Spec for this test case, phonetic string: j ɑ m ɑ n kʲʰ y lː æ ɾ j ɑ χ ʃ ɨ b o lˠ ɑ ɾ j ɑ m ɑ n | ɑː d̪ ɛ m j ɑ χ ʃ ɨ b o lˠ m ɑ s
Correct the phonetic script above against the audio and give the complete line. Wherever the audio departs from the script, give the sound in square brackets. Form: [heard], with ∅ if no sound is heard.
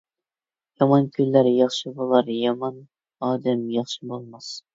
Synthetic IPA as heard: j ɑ m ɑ n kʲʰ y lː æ ɾ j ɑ χ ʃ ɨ b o lˠ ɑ ɾ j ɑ m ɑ n | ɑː d̪ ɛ m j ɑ χ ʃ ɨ b o lˠ m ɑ s